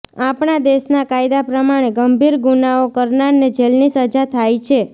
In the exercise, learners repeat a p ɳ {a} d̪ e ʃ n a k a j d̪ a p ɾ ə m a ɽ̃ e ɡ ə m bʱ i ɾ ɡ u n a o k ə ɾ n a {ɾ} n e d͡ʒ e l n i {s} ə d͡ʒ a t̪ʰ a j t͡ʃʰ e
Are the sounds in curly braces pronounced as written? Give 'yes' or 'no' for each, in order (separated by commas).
yes, yes, yes